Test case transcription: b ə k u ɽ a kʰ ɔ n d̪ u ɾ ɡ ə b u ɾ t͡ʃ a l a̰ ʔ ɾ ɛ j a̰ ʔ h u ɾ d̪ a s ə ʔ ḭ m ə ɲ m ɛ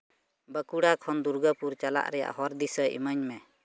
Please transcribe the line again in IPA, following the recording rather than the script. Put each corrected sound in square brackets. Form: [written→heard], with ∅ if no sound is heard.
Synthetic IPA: b ə k u ɽ a kʰ ɔ n d̪ u ɾ ɡ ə [b→p] u ɾ t͡ʃ a l a̰ ʔ ɾ ɛ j a̰ ʔ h [u→ɔ] ɾ d̪ [a→i] s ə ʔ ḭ m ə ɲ m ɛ